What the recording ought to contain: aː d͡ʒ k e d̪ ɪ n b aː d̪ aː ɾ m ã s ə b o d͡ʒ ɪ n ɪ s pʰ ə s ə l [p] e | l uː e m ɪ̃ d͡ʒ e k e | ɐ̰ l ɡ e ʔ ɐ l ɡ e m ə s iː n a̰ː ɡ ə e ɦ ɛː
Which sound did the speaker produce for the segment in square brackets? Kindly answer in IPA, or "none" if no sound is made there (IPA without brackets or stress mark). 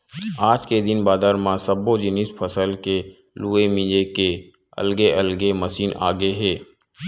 k